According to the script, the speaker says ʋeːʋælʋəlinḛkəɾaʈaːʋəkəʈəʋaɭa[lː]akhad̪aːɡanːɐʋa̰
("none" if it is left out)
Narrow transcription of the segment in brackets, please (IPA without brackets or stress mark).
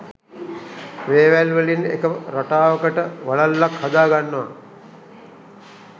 lː